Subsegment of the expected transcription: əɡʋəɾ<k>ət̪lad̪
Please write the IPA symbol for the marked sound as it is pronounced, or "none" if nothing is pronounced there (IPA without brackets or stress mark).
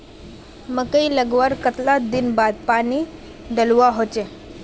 k